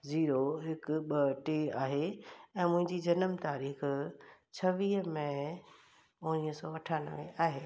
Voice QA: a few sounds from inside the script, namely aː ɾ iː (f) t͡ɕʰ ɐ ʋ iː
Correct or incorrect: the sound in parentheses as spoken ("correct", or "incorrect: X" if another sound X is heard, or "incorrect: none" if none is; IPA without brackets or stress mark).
incorrect: x